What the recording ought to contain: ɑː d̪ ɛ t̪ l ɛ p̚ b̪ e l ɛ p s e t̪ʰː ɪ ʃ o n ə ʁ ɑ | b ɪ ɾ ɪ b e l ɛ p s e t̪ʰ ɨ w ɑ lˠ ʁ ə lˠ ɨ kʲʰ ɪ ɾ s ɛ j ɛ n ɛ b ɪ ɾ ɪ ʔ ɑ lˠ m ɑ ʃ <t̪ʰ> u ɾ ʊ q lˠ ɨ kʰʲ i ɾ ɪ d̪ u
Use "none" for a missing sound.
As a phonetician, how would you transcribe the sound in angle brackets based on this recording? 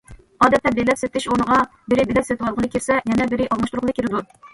t̪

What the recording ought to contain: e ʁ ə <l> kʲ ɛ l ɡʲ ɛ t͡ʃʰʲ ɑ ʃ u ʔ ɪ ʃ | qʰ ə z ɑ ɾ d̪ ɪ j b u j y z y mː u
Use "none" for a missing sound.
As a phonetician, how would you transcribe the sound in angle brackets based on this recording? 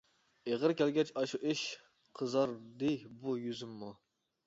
ɾ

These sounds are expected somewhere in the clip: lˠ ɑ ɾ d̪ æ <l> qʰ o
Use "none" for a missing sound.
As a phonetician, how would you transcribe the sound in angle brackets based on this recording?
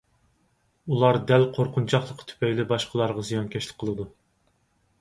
l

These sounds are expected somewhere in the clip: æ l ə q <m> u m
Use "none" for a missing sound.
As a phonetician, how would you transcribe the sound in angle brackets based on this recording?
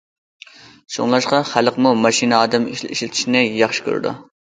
m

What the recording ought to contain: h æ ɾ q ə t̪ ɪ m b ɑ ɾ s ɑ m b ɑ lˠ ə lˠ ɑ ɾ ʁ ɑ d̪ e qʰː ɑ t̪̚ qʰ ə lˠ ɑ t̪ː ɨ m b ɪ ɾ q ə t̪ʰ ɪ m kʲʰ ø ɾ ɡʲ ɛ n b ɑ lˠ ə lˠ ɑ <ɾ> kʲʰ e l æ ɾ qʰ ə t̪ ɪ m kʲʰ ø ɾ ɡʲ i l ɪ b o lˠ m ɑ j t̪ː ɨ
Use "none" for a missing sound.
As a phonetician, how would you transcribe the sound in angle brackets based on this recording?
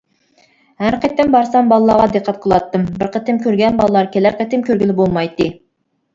ɾ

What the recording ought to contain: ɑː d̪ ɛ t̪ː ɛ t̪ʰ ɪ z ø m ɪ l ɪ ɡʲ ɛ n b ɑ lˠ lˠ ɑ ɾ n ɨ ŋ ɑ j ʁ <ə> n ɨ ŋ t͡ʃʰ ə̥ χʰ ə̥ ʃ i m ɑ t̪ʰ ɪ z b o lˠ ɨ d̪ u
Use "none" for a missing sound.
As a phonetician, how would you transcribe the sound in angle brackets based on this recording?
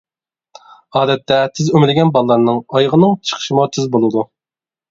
ə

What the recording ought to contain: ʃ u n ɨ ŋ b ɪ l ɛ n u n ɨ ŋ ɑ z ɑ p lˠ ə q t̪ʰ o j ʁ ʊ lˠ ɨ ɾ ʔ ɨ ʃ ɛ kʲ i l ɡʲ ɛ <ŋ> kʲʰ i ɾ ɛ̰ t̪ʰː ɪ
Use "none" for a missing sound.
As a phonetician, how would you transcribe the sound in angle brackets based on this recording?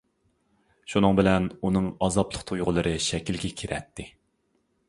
none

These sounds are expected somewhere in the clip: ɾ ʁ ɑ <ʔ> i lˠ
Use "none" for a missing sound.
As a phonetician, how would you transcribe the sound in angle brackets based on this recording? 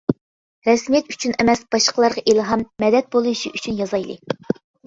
ʔ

